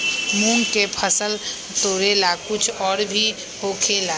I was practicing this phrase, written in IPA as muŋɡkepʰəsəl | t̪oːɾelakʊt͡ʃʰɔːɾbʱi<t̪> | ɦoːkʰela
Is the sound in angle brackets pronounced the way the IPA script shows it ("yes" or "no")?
no